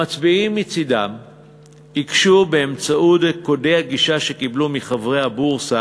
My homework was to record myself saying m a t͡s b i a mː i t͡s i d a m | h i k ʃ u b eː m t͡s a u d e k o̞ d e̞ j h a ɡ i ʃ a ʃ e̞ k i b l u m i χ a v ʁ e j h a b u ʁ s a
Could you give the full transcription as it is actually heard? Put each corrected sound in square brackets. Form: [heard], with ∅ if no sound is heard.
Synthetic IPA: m a t͡s b i [i] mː i t͡s i d a m | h i k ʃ u b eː m t͡s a u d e k o̞ d e̞ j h a ɡ i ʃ a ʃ e̞ k i b l u m i χ a v ʁ e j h a b u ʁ s a